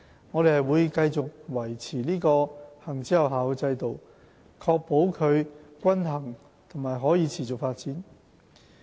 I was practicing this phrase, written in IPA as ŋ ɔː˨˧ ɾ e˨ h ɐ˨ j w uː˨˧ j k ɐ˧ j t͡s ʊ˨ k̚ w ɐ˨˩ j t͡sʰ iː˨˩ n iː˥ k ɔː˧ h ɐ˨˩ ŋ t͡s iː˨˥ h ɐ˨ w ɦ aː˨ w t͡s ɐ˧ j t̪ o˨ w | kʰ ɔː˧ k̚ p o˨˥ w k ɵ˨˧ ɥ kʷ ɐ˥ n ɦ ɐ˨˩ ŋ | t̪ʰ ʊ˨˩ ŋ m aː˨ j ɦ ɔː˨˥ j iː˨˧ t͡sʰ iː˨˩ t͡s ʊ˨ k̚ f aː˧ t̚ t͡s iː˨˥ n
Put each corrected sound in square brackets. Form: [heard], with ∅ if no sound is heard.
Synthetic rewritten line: ŋ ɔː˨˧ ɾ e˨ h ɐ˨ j w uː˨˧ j k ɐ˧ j t͡s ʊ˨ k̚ w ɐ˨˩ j t͡sʰ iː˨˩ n iː˥ k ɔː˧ h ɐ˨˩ ŋ t͡s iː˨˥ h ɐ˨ w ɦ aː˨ w t͡s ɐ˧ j t̪ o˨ w | kʰ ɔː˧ k̚ p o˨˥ w [kʰ] ɵ˨˧ ɥ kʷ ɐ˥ n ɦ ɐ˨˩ ŋ | t̪ʰ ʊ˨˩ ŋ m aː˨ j ɦ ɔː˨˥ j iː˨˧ t͡sʰ iː˨˩ t͡s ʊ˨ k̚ f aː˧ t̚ t͡s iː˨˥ n

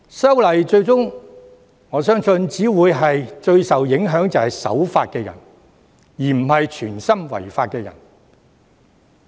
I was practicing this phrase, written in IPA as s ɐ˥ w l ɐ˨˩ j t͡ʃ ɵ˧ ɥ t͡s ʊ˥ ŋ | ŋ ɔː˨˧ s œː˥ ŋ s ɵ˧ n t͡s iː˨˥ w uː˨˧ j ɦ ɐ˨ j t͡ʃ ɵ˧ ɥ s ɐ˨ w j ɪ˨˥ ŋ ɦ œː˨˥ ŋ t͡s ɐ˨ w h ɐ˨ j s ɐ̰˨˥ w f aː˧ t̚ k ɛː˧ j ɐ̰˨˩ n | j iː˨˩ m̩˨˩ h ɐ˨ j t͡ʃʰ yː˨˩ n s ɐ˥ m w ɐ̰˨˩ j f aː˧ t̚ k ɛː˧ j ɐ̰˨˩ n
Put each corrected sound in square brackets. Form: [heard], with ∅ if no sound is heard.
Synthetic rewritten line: s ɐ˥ w l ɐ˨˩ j t͡ʃ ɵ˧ ɥ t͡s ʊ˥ ŋ | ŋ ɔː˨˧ s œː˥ ŋ s ɵ˧ n t͡s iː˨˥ w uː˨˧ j ɦ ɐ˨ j t͡ʃ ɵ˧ ɥ s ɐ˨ w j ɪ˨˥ ŋ ɦ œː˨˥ ŋ t͡s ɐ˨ w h ɐ˨ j s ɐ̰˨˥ w f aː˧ t̚ k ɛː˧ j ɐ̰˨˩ n | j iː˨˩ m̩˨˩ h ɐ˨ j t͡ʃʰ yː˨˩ n s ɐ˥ m w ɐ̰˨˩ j f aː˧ t̚ k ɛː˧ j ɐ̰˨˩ n

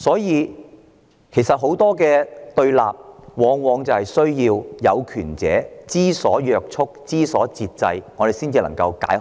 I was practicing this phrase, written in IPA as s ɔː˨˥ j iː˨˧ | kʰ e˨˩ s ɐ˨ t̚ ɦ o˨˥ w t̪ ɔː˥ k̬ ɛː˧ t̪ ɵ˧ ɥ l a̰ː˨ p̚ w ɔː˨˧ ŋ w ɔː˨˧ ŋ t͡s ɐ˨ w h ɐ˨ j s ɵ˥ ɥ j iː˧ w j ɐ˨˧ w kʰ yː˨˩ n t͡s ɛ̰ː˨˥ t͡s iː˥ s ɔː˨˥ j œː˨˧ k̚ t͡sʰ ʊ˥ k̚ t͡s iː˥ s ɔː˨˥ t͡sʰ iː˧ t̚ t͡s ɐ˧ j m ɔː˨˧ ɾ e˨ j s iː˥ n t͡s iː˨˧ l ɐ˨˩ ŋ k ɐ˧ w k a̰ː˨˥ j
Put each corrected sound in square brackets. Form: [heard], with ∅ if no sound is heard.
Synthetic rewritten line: s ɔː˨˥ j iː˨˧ | kʰ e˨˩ s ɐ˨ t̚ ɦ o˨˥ w t̪ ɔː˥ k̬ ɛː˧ t̪ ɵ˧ ɥ l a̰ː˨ p̚ w ɔː˨˧ ŋ w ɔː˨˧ ŋ t͡s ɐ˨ w h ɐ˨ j s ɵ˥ ɥ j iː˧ w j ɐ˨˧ w kʰ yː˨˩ n t͡s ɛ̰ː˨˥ t͡s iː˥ s ɔː˨˥ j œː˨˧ k̚ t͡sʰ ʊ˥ k̚ t͡s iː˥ s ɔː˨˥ [t͡s] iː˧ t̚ t͡s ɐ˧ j [ŋ] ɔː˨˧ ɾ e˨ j s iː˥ n t͡s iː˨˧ l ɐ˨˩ ŋ k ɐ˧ w k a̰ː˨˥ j

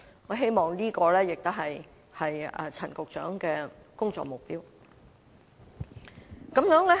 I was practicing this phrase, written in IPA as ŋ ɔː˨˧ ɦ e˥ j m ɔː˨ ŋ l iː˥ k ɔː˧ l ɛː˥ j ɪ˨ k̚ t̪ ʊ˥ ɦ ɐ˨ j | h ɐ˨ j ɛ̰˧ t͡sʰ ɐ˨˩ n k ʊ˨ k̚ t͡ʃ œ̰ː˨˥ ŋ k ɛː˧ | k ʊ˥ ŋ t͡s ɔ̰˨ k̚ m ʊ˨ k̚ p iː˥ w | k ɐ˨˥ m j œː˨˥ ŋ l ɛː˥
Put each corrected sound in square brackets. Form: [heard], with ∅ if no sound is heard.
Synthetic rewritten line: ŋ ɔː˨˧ ɦ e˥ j m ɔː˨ ŋ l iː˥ k ɔː˧ l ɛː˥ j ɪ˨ k̚ t̪ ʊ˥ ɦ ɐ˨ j | h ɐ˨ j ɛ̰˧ t͡sʰ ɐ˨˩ n k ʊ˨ k̚ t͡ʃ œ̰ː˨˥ ŋ k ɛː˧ | k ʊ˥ ŋ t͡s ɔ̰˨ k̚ m ʊ˨ k̚ p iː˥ w | k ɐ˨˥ m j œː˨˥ ŋ l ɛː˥

